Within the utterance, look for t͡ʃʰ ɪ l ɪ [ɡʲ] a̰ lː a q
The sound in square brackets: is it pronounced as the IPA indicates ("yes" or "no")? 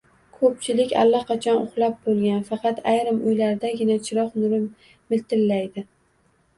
no